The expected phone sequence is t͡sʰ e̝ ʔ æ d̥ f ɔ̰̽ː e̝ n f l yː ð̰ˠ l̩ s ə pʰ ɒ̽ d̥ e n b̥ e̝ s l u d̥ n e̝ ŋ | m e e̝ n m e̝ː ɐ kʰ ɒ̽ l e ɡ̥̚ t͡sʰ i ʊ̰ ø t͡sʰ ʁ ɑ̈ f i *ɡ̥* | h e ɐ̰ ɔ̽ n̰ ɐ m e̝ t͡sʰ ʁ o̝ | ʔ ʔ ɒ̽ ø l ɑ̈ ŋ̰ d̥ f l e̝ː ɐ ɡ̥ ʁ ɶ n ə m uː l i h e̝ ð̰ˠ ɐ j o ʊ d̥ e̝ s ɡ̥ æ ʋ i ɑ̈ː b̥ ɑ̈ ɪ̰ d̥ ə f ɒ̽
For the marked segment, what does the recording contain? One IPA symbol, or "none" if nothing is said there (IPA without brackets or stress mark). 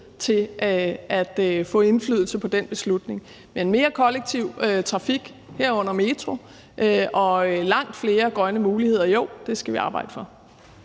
ɡ̥